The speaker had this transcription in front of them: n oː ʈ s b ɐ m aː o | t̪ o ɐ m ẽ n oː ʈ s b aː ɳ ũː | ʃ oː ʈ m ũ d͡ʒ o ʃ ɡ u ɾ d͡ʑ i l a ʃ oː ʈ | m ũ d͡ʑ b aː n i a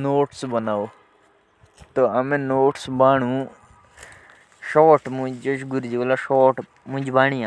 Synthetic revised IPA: n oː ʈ s b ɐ n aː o | t̪ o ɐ m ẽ n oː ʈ s b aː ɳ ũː | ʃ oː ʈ m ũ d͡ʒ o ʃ ɡ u ɾ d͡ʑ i l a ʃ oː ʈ | m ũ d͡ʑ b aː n i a